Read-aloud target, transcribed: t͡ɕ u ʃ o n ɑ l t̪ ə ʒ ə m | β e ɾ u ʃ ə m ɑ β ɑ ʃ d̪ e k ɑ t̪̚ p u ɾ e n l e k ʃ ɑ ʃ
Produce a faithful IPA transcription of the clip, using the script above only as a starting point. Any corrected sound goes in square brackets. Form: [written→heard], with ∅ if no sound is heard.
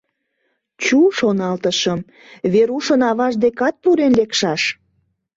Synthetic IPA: t͡ɕ u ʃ o n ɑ l t̪ ə [ʒ→ʃ] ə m | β e ɾ u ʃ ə [m→n] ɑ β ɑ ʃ d̪ e k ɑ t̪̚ p u ɾ e n l e k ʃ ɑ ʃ